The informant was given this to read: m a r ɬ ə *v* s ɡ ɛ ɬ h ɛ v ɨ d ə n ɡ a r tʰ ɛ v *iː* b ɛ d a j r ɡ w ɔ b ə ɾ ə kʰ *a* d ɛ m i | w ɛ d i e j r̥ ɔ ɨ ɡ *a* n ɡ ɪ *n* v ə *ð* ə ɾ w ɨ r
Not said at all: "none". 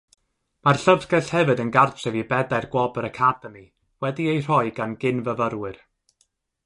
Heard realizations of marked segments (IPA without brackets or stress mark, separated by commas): v, i, a, a, n, v